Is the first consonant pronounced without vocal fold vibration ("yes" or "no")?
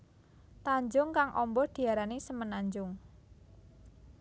yes